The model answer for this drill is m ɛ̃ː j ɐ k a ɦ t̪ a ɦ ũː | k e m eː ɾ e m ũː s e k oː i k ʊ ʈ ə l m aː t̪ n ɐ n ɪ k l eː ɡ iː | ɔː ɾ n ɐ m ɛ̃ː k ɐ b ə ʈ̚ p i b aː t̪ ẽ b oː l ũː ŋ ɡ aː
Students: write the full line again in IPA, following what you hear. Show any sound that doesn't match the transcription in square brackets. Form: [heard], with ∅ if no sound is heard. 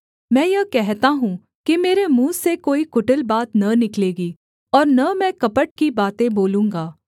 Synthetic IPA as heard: m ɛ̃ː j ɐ k [ɛ] ɦ t̪ a ɦ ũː | k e m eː ɾ e m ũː s e k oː i k ʊ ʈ ə l [b] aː t̪ n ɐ n ɪ k l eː ɡ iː | ɔː ɾ n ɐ m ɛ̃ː k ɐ [p] ə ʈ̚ [k] i b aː t̪ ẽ b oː l ũː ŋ ɡ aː